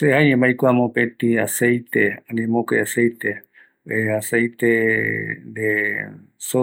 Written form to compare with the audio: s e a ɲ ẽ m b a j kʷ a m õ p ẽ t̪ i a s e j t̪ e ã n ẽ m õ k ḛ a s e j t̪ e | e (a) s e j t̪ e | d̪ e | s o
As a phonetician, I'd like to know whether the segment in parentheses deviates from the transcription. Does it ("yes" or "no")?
no